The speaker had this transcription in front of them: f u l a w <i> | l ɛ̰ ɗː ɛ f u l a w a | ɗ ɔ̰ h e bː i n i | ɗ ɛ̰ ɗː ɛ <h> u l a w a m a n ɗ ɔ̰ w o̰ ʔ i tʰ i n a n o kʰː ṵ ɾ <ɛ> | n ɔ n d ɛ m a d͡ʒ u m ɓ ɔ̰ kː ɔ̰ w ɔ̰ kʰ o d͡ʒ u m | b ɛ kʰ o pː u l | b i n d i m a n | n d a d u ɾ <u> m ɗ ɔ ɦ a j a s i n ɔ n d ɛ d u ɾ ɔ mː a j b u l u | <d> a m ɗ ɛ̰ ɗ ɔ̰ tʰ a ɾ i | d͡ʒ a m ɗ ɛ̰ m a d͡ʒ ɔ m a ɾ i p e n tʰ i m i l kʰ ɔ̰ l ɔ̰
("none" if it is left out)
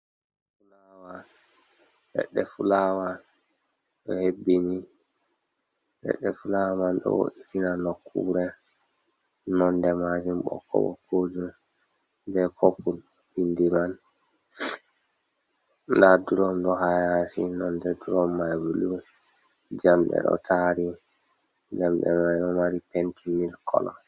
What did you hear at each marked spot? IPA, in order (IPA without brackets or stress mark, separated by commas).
a, f, ɛ, ɔ, d͡ʒ